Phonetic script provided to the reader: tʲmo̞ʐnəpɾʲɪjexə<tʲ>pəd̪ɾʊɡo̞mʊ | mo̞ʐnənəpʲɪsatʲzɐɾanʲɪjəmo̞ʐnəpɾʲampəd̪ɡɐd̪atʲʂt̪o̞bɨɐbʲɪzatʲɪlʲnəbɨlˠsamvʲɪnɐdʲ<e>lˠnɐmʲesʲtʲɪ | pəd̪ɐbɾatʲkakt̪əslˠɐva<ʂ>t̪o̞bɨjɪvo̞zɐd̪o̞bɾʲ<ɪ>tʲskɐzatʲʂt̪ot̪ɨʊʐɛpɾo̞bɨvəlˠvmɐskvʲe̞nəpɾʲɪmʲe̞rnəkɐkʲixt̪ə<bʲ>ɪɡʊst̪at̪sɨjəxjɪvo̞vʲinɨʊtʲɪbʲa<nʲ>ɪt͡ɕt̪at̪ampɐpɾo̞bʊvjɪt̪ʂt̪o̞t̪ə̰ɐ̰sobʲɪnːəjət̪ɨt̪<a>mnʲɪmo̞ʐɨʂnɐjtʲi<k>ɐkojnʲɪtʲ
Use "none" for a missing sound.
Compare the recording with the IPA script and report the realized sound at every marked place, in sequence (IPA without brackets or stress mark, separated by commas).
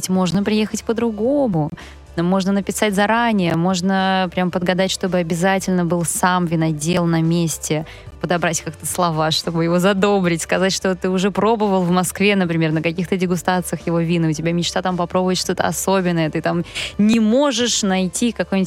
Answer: tʲ, e, ʂ, ɪ, dʲ, mʲ, a, k